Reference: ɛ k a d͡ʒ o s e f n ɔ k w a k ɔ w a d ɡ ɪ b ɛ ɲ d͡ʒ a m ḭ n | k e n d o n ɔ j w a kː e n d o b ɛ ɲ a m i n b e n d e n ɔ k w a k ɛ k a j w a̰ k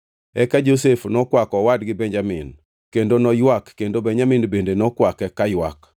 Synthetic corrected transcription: ɛ k a d͡ʒ o s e f n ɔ k w a k ɔ w a d ɡ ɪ b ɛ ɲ d͡ʒ a m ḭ n | k e n d o n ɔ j w a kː e n d o b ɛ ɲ a m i n b e n d e n ɔ k w a k ɛ k a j w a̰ k